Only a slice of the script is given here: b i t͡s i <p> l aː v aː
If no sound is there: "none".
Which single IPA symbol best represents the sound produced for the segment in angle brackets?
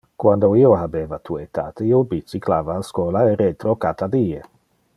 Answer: k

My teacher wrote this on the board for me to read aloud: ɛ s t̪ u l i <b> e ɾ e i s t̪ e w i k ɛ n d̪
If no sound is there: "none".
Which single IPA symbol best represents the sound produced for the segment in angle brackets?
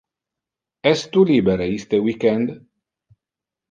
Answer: b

